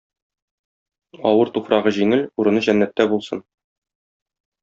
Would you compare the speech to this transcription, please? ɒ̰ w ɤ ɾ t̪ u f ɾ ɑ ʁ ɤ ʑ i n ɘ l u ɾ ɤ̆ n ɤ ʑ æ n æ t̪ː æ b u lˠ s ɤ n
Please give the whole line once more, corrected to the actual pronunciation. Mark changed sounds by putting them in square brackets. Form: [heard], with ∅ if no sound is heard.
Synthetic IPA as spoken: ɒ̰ w ɤ ɾ t̪ u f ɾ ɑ ʁ ɤ ʑ i [ŋ] ɘ l u ɾ ɤ̆ n ɤ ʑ æ [nː] æ t̪ː æ b u lˠ s ɤ n